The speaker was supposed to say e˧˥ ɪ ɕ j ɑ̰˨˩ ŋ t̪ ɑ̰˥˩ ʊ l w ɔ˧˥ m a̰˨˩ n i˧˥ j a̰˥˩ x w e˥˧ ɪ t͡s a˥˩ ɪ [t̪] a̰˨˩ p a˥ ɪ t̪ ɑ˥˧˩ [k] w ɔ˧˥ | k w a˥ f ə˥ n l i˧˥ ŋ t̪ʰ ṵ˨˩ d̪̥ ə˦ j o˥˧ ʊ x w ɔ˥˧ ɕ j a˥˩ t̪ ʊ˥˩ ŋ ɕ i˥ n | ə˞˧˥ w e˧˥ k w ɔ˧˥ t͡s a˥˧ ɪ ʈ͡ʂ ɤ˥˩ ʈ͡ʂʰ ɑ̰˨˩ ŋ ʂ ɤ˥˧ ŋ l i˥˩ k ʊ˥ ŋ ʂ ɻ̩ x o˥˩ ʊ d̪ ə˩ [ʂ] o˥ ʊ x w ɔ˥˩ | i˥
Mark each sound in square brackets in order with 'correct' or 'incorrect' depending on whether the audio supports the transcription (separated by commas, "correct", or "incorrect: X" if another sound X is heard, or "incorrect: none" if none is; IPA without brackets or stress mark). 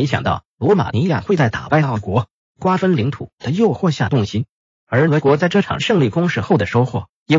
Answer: correct, correct, correct